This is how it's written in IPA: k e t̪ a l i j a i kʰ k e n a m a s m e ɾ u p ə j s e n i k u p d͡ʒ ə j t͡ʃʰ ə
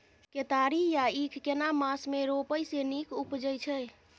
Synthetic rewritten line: k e t̪ a ɾ i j a i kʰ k e n a m a s m e ɾ o p ə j s e n i k u p d͡ʒ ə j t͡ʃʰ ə